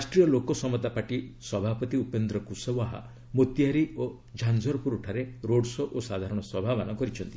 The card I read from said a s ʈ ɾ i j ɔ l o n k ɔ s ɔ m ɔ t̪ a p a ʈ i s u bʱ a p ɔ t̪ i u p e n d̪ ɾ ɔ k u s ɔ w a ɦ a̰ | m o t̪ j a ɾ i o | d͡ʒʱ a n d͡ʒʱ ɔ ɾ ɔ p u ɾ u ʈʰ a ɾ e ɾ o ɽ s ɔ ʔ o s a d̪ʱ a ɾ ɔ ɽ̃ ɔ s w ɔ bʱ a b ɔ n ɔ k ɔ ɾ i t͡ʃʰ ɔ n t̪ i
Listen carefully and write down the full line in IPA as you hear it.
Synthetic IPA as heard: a s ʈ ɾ i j ɔ l o k ɔ s ɔ m ɔ t̪ a p a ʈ i s ɔ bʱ a p ɔ t̪ i u p e n d̪ ɾ ɔ k u s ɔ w a ɦ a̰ | m o t̪ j a ɾ i o | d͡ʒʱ a n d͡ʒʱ ɔ ɾ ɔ p u ɾ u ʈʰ a ɾ e ɾ o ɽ s ɔ ʔ o s a d̪ʱ a ɾ ɔ ɽ̃ ɔ s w ɔ bʱ a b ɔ n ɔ k ɔ ɾ i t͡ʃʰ ɔ n t̪ i

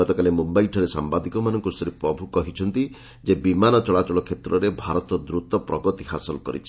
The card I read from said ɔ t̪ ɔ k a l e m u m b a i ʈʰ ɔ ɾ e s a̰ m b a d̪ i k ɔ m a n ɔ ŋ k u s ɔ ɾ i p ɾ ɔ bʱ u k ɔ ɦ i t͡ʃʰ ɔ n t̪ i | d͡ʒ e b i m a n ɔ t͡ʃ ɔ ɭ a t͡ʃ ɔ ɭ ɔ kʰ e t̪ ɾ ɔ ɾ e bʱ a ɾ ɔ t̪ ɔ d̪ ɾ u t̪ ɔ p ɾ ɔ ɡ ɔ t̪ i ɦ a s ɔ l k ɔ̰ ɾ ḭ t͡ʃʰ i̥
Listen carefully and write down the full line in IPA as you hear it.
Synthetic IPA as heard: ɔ t̪ ɔ k a l e m u m b a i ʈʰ ɔ ɾ e s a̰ m b a d̪ i k ɔ m a n ɔ ŋ k u s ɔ ɾ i p ɾ ɔ bʱ u k ɔ ɦ i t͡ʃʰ ɔ n t̪ i | d͡ʒ e b i m a n ɔ t͡ʃ ɔ ɭ a t͡ʃ ɔ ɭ ɔ kʰ e t̪ ɾ ɔ ɾ e bʱ a ɾ ɔ t̪ ɔ d̪ ɾ u t̪ ɔ p ɾ ɔ ɡ ɔ t̪ i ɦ a s ɔ l k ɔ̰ ɾ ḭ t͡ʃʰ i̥

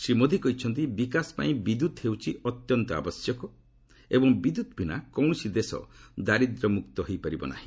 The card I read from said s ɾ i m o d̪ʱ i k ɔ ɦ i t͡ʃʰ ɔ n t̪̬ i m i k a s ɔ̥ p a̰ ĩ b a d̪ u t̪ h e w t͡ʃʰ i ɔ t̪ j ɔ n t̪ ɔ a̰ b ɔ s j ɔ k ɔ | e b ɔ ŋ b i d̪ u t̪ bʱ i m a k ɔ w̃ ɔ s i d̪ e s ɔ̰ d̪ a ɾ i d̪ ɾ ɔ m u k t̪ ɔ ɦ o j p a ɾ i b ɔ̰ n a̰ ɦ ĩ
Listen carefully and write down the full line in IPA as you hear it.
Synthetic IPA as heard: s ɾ i m o d̪ʱ i k ɔ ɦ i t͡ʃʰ ɔ n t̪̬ i b i k a s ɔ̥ p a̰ ĩ b i d̪ u t̪ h e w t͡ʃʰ i ɔ t̪ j ɔ n t̪ ɔ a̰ b ɔ s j ɔ k ɔ | e b ɔ ŋ b i d̪ u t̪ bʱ i n a k ɔ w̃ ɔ s i d̪ e s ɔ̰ d̪ a ɾ i d̪ ɾ ɔ m u k t̪ ɔ ɦ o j p a ɾ i b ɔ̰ n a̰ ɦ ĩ

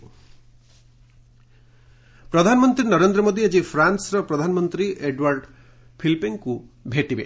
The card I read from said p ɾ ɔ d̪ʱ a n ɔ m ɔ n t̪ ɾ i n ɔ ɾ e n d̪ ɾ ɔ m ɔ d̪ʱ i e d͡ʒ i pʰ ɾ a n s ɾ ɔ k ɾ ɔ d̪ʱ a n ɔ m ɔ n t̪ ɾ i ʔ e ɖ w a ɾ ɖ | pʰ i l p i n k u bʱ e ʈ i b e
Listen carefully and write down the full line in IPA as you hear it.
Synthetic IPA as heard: p ɾ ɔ d̪ʱ a n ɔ m ɔ n t̪ ɾ i n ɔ ɾ e n d̪ ɾ ɔ m o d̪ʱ i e d͡ʒ i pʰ ɾ a n s ɾ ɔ p ɾ ɔ d̪ʱ a n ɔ m ɔ n t̪ ɾ i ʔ e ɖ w a ɾ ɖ | pʰ i l p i ŋ k u bʱ e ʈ i b e

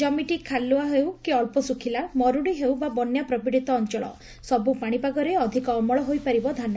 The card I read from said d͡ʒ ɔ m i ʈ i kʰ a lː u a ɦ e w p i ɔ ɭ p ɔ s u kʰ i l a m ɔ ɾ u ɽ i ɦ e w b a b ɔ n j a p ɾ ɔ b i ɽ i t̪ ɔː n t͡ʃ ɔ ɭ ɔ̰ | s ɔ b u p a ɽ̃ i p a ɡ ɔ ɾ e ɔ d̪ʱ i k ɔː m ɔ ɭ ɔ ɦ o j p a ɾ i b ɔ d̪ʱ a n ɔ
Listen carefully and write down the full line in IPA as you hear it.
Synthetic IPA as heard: d͡ʒ ɔ m i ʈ i kʰ a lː u a ɦ e w k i ɔ ɭ p ɔ s u kʰ i l a m ɔ ɾ u ɽ i ɦ e w b a b ɔ n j a p ɾ ɔ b i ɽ i t̪ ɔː n t͡ʃ ɔ ɭ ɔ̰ | s ɔ b u p a ɽ̃ i p a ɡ ɔ ɾ e ɔ d̪ʱ i k ɔː m ɔ ɭ ɔ ɦ o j p a ɾ i b ɔ d̪ʱ a n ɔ

